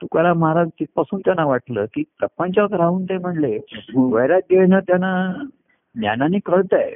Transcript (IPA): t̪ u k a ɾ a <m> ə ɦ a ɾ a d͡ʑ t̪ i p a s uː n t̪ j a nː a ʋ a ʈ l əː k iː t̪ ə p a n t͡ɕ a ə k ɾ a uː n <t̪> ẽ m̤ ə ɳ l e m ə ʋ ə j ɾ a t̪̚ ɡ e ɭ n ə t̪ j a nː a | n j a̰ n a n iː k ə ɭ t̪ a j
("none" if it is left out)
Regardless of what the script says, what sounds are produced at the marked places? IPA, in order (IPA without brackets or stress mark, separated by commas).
m, t̪